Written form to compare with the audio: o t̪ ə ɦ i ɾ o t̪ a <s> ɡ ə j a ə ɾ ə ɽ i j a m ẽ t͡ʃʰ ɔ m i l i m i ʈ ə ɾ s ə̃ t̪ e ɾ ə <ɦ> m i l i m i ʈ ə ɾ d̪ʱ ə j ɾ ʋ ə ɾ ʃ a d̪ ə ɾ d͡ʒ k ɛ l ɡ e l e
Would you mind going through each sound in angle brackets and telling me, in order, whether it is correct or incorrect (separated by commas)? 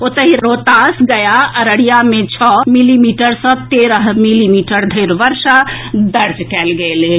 correct, correct